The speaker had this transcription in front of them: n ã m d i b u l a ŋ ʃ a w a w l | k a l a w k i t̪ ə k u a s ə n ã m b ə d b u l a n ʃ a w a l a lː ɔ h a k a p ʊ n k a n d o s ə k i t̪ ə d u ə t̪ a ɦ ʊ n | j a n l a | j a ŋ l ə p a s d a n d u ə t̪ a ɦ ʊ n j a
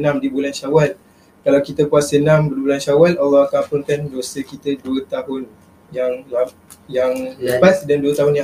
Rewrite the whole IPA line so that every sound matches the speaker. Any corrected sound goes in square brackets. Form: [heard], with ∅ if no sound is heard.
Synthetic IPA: n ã m d i b u l a [n] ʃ a w a [∅] l | k a l a w k i t̪ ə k u a s ə n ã m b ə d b u l a n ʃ a w a l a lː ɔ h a k a p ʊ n k a n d o s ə k i t̪ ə d u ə t̪ a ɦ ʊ n | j a [ŋ] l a | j a ŋ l ə p a s d a n d u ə t̪ a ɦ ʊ n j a